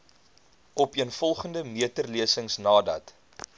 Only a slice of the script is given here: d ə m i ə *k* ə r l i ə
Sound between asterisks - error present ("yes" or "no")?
yes